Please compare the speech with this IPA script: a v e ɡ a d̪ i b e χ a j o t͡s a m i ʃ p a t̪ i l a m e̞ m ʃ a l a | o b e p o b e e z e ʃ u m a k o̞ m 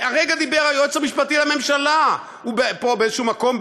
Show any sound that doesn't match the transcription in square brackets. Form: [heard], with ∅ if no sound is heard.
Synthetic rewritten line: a [ʁ] e ɡ a d̪ i b e [ʁ] a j o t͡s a m i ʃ p a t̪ i l a m e̞ m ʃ a l a | [u] b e p o b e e z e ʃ u m a k o̞ m